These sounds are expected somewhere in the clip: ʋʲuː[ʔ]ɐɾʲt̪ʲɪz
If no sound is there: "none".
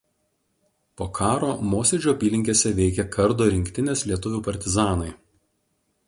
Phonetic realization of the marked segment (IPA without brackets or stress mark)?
p